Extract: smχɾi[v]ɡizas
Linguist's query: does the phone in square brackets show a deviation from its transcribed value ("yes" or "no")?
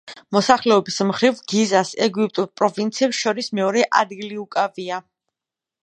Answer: no